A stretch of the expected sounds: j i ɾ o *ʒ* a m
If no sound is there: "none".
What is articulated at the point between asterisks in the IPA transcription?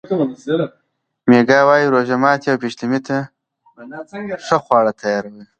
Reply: ʒ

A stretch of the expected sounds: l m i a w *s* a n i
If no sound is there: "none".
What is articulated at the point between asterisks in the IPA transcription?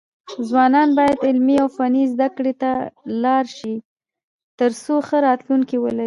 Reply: f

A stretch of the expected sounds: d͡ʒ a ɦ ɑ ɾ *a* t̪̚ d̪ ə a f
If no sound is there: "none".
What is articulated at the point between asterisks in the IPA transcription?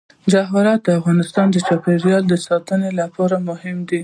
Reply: ɑ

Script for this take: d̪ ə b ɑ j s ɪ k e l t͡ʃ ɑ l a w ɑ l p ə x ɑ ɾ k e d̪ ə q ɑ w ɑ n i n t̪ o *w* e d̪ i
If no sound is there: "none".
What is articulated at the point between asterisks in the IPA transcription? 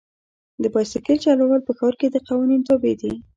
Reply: b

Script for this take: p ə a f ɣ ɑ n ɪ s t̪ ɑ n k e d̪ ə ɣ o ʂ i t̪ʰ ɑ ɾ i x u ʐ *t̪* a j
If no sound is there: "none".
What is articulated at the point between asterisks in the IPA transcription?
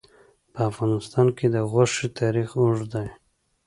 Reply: d̪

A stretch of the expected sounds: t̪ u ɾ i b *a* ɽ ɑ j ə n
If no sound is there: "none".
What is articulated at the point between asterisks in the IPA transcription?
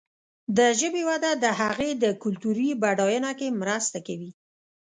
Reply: a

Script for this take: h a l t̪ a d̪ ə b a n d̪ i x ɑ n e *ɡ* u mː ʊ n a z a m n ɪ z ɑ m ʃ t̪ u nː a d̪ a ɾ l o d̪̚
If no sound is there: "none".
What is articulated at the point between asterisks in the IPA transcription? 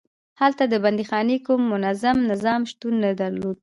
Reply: k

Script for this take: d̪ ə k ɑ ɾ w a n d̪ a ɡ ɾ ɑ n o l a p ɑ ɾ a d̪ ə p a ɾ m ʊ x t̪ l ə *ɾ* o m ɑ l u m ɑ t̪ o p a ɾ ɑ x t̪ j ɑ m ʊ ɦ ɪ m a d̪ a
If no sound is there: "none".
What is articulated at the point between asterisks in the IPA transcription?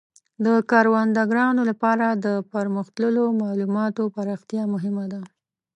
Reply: l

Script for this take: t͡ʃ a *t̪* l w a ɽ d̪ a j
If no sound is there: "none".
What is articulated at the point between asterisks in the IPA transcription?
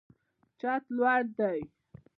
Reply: t̪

